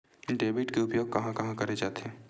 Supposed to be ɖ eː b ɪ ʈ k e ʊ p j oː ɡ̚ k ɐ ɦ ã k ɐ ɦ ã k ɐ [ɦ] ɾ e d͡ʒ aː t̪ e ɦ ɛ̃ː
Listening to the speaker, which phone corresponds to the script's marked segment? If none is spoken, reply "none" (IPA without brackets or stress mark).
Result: none